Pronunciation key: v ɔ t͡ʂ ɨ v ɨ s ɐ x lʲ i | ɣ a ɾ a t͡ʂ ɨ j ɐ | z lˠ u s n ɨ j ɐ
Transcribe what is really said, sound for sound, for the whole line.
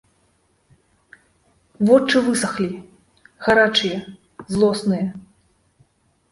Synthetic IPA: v ɔ t͡ʂ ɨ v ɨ s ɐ x lʲ i | ɣ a ɾ a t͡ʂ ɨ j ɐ | z lˠ ɔ s n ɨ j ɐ